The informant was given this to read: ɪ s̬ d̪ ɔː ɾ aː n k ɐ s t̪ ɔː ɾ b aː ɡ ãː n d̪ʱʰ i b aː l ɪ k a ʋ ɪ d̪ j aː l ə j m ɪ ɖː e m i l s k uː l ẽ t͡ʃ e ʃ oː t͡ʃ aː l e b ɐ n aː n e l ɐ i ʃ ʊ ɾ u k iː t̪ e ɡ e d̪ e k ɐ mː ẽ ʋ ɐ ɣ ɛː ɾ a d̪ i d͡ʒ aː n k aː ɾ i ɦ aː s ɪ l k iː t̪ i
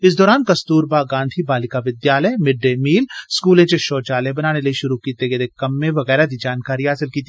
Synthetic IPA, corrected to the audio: ɪ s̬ d̪ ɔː ɾ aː n k ɐ s t̪ uː ɾ b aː ɡ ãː n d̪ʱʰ i b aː l ɪ k a ʋ ɪ d̪ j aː l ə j m ɪ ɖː e m iː l s k uː l ẽ t͡ʃ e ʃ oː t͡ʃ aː l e b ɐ n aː n e l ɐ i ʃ ʊ ɾ u k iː t̪ e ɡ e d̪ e k ɐ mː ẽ ʋ ɐ ɣ ɛː ɾ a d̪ i d͡ʒ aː n k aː ɾ i ɦ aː s ɪ l k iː t̪ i